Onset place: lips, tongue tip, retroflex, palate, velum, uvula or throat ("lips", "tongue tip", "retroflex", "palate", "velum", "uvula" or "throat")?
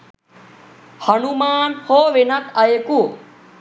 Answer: throat